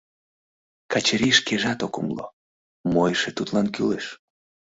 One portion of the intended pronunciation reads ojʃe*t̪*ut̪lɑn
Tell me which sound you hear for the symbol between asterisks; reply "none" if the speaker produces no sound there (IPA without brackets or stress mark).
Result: t̪